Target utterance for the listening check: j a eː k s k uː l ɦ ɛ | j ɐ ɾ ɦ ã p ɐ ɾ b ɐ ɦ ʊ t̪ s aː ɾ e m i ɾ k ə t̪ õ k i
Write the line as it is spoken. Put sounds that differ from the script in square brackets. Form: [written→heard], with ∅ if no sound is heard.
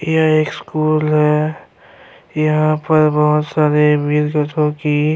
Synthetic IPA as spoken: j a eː k s k uː l ɦ ɛ | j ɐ [ɾ→∅] ɦ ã p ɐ ɾ b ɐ ɦ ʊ t̪ s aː ɾ e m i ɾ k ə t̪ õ k i